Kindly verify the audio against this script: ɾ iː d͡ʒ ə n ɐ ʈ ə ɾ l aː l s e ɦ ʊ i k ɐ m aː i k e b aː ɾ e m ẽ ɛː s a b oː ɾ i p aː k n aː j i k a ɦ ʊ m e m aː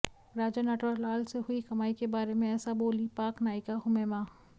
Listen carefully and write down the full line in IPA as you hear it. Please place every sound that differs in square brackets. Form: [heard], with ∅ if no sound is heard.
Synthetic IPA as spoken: ɾ [aː] d͡ʒ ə n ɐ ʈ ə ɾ l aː l s e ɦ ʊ i k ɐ m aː i k e b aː ɾ e m ẽ ɛː s a b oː [l] i p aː k n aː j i k a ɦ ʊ m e m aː